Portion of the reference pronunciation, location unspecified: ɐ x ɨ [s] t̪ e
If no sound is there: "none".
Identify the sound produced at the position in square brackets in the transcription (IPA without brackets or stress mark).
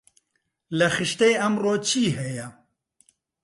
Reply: ʃ